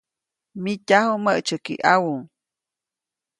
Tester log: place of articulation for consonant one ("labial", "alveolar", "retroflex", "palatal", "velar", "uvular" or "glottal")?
labial